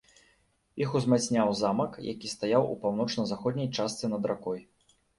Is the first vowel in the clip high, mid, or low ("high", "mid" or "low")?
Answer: high